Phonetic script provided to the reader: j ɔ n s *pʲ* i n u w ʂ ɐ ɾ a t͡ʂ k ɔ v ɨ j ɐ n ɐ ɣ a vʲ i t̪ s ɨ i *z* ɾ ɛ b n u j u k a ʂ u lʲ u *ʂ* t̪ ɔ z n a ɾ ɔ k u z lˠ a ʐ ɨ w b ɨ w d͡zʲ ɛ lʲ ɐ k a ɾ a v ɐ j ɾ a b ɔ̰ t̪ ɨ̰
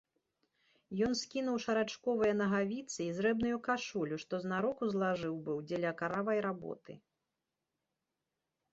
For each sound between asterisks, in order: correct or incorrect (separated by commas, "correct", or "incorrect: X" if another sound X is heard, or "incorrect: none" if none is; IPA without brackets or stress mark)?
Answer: incorrect: kʲ, correct, correct